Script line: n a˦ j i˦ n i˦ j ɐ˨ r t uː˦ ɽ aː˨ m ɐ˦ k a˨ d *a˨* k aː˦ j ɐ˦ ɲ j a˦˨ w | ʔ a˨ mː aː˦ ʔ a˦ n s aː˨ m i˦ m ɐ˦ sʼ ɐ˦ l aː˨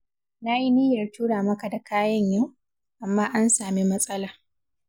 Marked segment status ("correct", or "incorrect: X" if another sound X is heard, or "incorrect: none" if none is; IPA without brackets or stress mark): correct